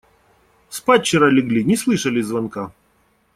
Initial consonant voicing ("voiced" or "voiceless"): voiceless